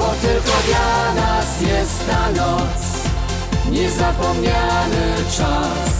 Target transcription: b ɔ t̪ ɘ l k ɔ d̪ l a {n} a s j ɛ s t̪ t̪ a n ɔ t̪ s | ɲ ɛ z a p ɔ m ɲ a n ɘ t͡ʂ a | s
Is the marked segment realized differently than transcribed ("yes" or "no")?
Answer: no